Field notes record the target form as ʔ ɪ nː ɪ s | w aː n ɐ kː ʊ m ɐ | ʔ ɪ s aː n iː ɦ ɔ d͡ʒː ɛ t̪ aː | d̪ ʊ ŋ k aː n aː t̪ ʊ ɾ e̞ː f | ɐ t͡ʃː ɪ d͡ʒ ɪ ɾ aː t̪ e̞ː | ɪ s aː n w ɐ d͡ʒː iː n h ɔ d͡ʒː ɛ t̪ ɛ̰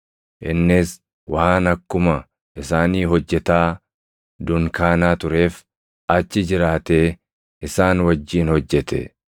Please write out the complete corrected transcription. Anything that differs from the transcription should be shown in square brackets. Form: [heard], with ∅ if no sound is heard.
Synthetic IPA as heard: ʔ ɪ nː ɪ s | w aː n ɐ kː ʊ m ɐ | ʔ ɪ s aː n iː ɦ ɔ d͡ʒː ɛ t̪ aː | d̪ ʊ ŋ k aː n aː t̪ ʊ ɾ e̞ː f | ɐ t͡ʃː ɪ d͡ʒ ɪ ɾ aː t̪ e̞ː | ɪ s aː n w ɐ d͡ʒː iː n h ɔ d͡ʒː ɛ t̪ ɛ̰